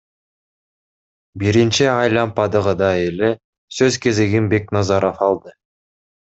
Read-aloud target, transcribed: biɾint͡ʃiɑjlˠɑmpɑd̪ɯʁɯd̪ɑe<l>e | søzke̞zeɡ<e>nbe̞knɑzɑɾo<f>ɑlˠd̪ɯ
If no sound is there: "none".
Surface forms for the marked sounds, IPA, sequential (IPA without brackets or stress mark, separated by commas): l, i, f